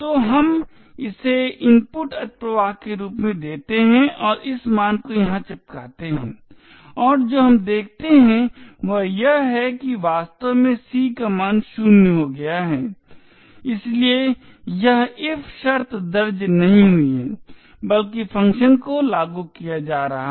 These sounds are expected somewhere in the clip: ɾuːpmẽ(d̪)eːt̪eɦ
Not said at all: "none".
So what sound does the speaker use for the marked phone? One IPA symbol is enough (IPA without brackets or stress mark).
d̪